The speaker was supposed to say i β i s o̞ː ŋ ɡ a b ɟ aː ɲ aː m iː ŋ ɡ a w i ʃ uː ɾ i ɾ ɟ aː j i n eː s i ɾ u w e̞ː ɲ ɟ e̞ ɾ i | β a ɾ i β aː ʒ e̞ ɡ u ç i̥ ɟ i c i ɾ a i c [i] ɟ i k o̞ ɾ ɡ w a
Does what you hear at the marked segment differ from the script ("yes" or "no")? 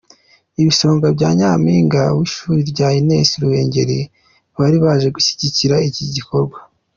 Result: no